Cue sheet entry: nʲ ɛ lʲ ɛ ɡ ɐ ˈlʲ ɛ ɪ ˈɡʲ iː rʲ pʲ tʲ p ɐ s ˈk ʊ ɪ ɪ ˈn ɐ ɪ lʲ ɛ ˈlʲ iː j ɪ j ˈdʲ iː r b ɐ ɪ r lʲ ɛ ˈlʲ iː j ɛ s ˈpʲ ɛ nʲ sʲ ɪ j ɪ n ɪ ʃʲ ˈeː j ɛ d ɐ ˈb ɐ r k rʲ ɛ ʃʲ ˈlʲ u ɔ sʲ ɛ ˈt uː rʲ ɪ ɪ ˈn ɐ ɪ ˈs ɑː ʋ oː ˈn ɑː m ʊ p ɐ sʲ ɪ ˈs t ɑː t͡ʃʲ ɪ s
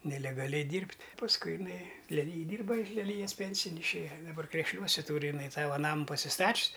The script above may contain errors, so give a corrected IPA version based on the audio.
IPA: nʲ ɛ lʲ ɛ ɡ ɐ ˈlʲ ɛ ɪ ˈdʲ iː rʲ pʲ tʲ p ɐ s ˈk ʊ ɪ ɪ ˈn ɐ ɪ lʲ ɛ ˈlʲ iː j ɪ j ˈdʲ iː r b ɐ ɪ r lʲ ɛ ˈlʲ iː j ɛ s ˈpʲ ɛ nʲ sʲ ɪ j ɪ n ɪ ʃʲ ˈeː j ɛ d ɐ ˈb ɐ r k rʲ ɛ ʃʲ ˈlʲ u ɔ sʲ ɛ ˈt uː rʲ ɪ ɪ ˈn ɐ ɪ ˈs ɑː ʋ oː ˈn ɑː m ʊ p ɐ sʲ ɪ ˈs t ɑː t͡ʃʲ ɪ s